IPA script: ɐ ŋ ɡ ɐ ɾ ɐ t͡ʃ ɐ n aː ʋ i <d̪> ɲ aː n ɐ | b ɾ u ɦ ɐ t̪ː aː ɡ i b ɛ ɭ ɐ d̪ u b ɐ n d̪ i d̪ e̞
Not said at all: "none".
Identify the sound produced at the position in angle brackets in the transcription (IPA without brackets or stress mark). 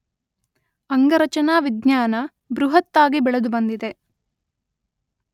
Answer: d̪